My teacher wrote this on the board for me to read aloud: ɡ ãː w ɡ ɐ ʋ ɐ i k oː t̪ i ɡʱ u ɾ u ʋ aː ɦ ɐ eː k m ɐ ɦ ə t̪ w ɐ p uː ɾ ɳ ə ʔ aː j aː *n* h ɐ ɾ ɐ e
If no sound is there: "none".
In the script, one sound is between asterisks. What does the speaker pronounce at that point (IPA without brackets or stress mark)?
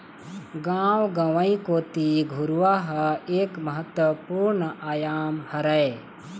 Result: m